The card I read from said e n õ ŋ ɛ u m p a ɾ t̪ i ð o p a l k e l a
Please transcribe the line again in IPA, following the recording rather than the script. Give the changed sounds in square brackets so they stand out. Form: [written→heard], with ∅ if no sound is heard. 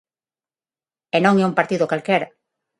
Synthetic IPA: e n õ ŋ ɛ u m p a ɾ t̪ i ð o [p→k] a l k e [l→ɾ] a